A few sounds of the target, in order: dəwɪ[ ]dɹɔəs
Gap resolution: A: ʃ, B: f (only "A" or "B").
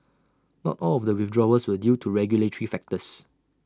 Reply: B